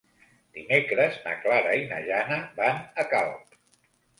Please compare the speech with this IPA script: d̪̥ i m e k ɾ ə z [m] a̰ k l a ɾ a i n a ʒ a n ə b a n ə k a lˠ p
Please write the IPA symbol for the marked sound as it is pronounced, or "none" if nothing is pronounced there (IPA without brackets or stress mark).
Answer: n